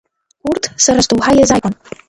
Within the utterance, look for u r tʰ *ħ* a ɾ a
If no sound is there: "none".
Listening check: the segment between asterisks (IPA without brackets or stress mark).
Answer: s